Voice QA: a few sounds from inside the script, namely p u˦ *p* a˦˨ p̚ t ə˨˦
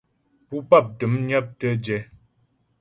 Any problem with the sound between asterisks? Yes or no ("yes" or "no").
no